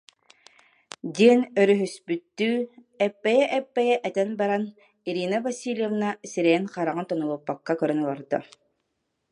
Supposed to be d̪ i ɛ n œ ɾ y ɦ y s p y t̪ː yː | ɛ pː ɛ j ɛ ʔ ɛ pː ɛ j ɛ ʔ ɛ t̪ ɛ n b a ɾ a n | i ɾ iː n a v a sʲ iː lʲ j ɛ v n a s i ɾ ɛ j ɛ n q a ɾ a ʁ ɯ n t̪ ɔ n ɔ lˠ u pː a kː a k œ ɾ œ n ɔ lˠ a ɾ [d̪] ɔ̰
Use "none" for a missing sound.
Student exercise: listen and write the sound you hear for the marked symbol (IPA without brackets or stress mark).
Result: d̪